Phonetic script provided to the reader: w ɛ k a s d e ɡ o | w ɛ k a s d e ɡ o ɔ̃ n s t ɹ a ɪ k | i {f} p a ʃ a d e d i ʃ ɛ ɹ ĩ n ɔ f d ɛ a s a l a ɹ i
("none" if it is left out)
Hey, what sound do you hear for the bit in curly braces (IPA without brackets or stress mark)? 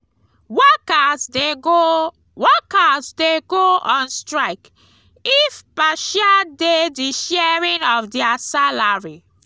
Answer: f